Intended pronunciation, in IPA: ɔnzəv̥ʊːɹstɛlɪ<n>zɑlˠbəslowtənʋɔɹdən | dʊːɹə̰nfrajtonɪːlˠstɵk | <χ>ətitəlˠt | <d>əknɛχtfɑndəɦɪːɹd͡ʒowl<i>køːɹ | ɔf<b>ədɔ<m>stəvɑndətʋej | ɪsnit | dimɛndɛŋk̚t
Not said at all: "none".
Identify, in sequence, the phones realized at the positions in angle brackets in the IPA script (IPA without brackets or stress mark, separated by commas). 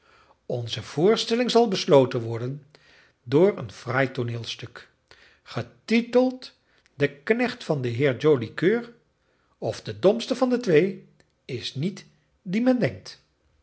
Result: ŋ, χ, d, i, d, m